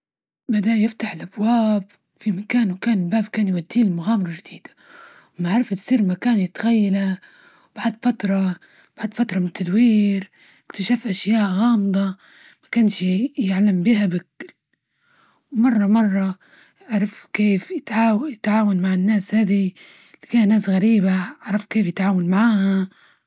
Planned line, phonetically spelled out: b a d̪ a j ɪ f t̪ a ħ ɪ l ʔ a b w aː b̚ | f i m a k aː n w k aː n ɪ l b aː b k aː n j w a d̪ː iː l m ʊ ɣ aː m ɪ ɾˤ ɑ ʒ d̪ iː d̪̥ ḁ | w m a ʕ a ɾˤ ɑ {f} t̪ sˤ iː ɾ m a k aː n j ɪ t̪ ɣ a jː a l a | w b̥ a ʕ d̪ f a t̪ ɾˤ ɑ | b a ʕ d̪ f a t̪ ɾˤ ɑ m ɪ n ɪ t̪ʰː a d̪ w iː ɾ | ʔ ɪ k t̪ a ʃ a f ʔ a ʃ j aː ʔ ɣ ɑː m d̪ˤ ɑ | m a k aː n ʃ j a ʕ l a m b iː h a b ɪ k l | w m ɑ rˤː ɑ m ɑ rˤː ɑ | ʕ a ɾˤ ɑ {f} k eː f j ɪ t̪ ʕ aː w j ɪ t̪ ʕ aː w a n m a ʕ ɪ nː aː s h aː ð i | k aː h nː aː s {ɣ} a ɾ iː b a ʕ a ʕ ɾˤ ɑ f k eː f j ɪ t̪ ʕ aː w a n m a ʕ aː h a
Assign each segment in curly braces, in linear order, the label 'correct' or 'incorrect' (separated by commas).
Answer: correct, correct, correct